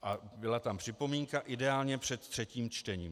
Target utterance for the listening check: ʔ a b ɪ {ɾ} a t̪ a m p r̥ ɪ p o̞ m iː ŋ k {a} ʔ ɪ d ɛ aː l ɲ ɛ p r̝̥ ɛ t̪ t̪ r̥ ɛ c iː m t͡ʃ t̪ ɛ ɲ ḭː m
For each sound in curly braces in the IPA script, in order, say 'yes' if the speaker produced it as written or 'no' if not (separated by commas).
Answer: no, yes